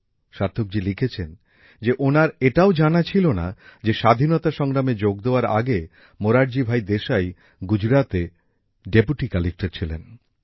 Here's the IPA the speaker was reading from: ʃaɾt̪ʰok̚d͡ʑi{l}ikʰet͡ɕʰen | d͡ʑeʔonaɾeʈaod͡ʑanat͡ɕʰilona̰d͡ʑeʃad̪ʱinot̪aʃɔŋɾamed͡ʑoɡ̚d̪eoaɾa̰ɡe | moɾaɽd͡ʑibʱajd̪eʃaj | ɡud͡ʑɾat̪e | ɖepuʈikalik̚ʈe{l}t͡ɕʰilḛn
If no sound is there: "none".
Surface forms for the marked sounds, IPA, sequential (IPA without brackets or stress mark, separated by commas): l, ɾ